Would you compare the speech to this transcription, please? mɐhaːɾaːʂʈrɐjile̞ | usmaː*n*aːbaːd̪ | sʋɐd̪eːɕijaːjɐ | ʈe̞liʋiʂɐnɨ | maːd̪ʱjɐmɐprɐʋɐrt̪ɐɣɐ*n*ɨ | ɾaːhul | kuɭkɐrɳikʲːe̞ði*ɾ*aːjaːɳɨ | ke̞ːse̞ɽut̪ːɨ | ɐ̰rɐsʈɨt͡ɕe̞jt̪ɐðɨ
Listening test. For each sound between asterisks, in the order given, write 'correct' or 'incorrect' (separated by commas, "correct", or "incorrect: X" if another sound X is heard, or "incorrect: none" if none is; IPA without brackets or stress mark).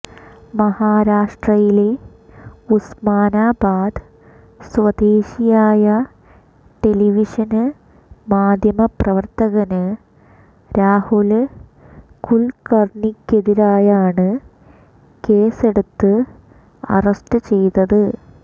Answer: correct, correct, correct